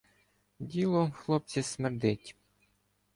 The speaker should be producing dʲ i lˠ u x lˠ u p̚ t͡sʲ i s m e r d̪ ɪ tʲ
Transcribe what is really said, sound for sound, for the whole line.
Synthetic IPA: dʲ i lˠ ɔ x lˠ ɔ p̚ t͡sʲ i s m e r d̪ ɪ tʲ